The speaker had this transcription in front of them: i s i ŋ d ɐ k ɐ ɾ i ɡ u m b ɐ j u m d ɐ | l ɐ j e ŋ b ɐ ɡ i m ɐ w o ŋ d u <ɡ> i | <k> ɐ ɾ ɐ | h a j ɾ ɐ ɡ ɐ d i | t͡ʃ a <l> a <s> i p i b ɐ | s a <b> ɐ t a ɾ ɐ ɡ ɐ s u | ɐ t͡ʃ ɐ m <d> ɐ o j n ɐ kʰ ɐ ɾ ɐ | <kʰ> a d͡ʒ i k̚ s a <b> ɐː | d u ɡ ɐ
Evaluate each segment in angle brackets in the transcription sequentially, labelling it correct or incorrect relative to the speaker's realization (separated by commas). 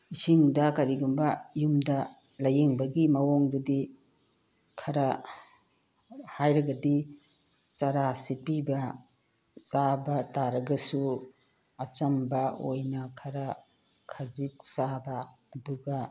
incorrect, incorrect, incorrect, correct, correct, incorrect, correct, correct